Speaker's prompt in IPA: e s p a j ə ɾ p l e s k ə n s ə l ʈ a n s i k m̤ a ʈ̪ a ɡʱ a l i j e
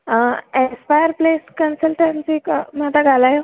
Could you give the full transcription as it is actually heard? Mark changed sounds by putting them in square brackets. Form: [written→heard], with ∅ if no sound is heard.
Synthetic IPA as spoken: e s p a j ə ɾ p l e s k ə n s ə l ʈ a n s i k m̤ a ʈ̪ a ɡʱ a l [i→a] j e